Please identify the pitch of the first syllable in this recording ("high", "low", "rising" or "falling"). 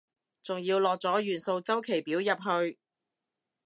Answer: low